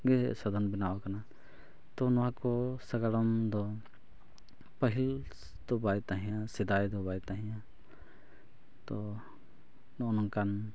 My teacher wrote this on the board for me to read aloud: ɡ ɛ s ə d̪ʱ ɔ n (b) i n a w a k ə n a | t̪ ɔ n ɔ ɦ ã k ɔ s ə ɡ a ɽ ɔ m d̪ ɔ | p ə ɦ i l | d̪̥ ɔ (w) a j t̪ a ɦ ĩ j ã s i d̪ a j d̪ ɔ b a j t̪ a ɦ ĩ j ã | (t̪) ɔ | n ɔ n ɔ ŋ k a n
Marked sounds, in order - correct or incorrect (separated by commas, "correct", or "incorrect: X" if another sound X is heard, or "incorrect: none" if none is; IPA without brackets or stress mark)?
correct, incorrect: b, correct